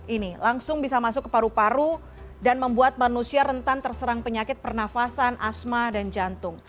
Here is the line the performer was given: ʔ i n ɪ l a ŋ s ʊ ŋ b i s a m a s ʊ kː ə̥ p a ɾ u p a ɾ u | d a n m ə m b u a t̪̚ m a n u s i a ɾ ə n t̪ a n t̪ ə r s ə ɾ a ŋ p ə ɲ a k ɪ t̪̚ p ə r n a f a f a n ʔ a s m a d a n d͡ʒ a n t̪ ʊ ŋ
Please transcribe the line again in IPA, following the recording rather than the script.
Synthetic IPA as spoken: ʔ i n i l a ŋ s ʊ ŋ b i s a m a s ʊ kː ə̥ p a ɾ u p a ɾ u | d a n m ə m b u a t̪̚ m a n u s i a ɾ ə n t̪ a n t̪ ə r s ə ɾ a ŋ p ə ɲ a k ɪ t̪̚ p ə r n a f a s a n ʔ a s m a d a n d͡ʒ a n t̪ ʊ ŋ